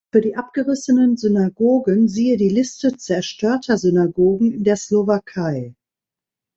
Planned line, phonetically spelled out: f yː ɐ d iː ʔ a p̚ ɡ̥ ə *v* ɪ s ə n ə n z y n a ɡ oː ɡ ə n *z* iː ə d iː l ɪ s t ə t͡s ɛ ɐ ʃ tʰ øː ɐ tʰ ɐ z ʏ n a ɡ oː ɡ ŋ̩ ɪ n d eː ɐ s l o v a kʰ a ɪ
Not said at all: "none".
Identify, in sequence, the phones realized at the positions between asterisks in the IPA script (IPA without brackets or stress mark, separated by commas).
ʁ, z